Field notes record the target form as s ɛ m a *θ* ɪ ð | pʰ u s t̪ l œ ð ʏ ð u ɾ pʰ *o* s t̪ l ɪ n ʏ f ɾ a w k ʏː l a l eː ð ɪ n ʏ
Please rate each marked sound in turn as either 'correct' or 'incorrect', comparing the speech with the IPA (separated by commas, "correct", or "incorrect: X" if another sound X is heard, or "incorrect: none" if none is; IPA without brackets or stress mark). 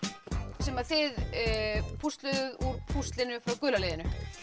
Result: correct, incorrect: u